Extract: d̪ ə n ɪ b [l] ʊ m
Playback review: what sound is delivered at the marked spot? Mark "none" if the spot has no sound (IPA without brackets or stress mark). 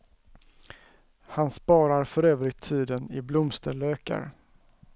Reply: l